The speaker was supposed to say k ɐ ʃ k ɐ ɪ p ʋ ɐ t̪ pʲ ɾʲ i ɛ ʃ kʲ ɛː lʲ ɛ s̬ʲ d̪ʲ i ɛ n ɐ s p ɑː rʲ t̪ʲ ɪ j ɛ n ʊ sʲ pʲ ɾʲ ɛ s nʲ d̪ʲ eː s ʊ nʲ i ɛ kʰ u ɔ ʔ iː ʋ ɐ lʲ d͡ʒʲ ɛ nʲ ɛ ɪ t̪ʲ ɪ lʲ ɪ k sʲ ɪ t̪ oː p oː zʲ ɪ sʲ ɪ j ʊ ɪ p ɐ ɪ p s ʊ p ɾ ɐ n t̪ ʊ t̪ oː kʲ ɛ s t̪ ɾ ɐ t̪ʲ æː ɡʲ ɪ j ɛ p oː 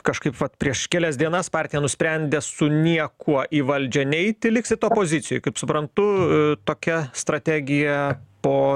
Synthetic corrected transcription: k ɐ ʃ k ɐ ɪ p ʋ ɐ t̪ pʲ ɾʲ i ɛ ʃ kʲ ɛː lʲ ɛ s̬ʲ d̪ʲ i ɛ n ɐ s p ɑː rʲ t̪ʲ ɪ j ɛ n ʊ sʲ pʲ ɾʲ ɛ nʲ d̪ʲ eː s ʊ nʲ i ɛ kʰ u ɔ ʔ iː ʋ ɐ lʲ d͡ʒʲ ɛ nʲ ɛ ɪ t̪ʲ ɪ lʲ ɪ k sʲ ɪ t̪ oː p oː zʲ ɪ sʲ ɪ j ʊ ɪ k ɐ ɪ p s ʊ p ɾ ɐ n t̪ ʊ t̪ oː kʲ ɛ s t̪ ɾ ɐ t̪ʲ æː ɡʲ ɪ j ɛ p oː